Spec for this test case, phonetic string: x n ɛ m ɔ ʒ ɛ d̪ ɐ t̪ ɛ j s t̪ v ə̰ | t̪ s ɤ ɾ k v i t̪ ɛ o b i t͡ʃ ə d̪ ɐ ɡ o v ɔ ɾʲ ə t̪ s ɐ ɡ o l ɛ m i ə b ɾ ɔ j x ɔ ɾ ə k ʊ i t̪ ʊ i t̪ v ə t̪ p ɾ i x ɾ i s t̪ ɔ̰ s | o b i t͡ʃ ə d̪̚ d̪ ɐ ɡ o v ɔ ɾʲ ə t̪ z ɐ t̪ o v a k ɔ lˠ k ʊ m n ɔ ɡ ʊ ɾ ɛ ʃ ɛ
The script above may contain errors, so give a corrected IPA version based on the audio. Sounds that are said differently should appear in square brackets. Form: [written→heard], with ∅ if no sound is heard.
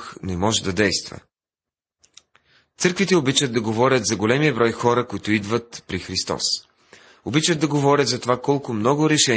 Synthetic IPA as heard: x n ɛ m ɔ ʒ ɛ d̪ ɐ [t̪→d̪] ɛ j s t̪ v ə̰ | t̪ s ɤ ɾ k v i t̪ ɛ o b i t͡ʃ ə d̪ ɐ ɡ o v ɔ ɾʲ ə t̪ [s→z] ɐ ɡ o l ɛ m i ə b ɾ ɔ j x ɔ ɾ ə k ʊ i t̪ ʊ i [t̪→d̪] v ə t̪ p ɾ i x ɾ i s t̪ ɔ̰ s | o b i t͡ʃ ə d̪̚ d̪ ɐ ɡ o v ɔ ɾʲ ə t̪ z ɐ t̪ o v a k ɔ lˠ k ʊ m n ɔ ɡ ʊ ɾ ɛ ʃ ɛ